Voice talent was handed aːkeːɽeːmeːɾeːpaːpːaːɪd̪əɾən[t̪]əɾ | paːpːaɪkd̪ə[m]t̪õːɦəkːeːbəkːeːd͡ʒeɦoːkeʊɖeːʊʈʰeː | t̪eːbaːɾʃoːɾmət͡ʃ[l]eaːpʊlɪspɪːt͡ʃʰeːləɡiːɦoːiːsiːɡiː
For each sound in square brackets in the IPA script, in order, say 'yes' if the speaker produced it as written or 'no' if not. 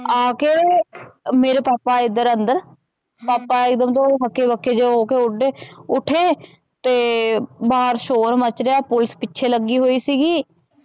no, yes, no

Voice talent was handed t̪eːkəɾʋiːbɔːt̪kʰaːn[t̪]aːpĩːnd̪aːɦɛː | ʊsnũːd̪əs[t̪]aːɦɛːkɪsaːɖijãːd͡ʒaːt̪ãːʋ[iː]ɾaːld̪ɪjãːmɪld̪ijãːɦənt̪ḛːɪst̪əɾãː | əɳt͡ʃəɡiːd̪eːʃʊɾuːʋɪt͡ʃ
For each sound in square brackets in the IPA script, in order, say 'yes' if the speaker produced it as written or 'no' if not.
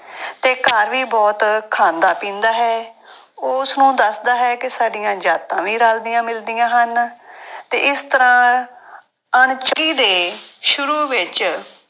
no, no, yes

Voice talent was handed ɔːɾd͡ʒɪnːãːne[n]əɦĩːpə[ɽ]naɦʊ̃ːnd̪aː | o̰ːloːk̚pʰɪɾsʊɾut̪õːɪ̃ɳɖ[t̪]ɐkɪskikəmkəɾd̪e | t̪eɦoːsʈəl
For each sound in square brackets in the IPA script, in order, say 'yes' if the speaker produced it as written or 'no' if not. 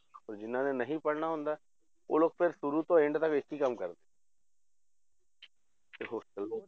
yes, yes, yes

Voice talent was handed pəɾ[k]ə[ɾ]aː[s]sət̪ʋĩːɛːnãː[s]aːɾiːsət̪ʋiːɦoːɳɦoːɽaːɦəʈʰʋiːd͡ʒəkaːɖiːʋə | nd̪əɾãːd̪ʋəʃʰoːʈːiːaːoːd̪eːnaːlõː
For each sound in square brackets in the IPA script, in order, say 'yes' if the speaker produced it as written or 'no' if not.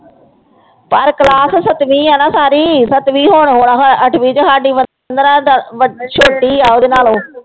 yes, no, yes, yes

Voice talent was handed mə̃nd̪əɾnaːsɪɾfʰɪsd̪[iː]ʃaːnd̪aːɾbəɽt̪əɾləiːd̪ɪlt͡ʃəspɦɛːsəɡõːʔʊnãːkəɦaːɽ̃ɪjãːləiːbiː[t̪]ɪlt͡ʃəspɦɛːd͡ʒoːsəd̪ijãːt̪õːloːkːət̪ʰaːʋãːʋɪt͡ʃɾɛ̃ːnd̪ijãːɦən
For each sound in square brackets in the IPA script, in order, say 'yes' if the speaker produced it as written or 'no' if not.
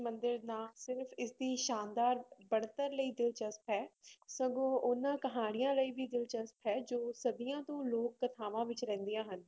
yes, no

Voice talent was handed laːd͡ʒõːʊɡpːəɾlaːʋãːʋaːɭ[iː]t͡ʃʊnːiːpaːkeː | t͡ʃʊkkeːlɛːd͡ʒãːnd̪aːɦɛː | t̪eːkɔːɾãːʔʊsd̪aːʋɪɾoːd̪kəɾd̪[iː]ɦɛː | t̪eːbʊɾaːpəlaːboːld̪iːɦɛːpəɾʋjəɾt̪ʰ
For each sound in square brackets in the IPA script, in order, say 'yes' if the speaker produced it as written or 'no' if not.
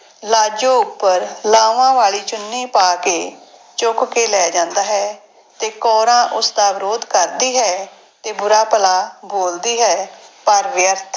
yes, yes

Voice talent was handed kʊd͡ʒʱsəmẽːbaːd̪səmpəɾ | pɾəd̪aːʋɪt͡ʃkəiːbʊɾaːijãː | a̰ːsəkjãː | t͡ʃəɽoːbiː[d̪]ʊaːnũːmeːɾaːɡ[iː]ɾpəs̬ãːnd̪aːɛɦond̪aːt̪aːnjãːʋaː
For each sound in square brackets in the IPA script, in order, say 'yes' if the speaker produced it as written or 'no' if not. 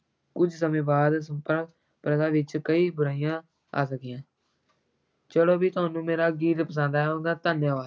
no, yes

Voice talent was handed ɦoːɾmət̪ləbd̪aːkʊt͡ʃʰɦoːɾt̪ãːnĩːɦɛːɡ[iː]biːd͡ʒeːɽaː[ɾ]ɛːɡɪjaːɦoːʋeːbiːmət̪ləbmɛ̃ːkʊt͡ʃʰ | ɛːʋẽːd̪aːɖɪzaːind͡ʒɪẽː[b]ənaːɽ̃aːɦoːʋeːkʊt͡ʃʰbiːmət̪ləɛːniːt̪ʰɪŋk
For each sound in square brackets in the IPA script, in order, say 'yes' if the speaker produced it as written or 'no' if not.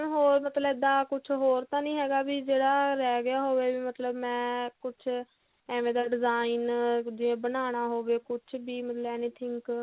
no, yes, yes

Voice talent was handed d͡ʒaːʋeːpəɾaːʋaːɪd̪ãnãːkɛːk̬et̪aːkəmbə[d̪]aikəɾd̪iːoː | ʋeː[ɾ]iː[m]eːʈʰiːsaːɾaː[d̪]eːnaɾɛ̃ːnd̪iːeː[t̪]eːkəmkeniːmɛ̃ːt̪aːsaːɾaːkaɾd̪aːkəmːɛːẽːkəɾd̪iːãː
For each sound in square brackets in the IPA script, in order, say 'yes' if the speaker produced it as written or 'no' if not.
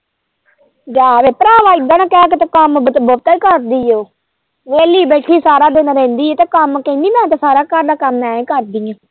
no, no, no, yes, yes

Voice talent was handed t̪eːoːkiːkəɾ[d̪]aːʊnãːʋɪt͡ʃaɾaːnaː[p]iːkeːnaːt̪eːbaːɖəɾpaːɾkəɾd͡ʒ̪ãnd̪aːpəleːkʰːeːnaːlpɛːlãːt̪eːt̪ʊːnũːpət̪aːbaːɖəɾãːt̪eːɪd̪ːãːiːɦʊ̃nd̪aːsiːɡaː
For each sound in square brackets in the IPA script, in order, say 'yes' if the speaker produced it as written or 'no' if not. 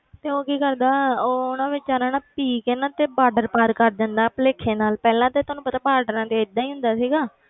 yes, yes

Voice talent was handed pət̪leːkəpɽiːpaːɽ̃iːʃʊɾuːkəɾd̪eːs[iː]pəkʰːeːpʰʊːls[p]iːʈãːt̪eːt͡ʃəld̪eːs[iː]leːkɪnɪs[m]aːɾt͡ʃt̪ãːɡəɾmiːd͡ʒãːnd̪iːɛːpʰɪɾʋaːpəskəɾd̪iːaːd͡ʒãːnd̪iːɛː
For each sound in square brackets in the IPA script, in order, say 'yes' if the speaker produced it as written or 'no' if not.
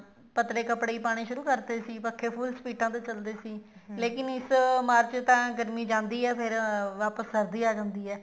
yes, yes, yes, yes

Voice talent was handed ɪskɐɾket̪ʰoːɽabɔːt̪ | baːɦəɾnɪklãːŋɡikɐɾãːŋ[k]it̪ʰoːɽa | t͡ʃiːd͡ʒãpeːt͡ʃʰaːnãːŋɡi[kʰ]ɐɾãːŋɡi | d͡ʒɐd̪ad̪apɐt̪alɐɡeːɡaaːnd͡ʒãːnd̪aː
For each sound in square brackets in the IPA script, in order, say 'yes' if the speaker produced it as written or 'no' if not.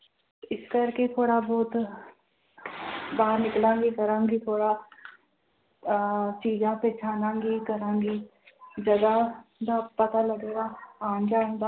no, no

